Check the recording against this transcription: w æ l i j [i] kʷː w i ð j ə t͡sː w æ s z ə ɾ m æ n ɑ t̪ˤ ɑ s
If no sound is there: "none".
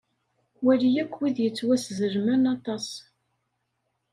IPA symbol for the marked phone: æ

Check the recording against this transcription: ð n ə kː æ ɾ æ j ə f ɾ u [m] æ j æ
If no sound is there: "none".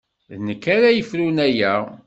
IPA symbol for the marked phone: n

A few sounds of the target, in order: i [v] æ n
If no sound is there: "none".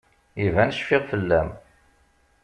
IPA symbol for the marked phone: v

